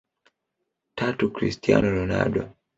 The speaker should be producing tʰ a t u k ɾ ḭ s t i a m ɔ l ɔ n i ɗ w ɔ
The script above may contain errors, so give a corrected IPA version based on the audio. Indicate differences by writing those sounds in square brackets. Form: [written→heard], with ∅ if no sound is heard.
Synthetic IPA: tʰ a t u k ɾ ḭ s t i a [m→n] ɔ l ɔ n [i→a] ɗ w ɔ